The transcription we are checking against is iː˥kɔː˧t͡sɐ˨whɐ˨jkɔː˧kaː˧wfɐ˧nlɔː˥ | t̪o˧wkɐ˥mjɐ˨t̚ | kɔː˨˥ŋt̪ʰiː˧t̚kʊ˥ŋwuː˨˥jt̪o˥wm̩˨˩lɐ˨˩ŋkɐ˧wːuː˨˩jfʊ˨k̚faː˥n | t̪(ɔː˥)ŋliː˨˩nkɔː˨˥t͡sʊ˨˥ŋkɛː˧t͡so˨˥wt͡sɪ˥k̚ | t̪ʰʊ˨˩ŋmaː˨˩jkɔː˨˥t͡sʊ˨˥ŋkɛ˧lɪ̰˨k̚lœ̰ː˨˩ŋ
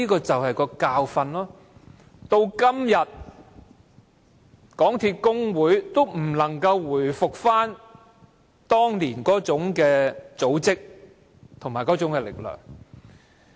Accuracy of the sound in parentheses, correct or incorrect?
correct